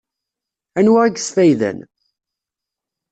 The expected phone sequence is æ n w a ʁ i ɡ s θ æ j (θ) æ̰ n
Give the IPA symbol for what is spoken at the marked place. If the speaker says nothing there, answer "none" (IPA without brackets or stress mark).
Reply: ð